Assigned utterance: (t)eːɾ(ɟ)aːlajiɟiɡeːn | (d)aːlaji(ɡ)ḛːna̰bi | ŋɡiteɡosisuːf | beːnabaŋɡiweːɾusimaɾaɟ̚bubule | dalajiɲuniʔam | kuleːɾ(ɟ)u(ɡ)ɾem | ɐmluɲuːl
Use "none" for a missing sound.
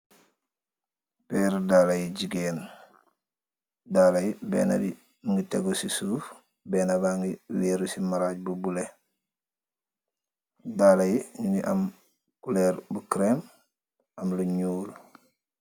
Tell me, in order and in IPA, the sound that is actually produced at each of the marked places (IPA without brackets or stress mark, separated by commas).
p, d, d, b, b, k